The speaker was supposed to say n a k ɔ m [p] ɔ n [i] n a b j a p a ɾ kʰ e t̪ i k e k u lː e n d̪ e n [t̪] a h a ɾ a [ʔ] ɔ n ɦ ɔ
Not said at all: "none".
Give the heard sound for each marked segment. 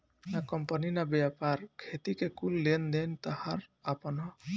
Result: p, i, t̪, p

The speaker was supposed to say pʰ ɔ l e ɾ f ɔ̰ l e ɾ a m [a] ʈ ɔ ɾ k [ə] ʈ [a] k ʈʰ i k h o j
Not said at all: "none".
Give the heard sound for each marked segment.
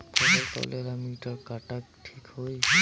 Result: i, a, a

